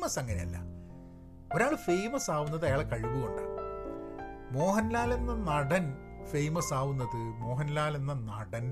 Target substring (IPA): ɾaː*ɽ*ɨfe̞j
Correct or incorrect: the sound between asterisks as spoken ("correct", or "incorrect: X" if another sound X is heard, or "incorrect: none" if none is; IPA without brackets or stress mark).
incorrect: ɭ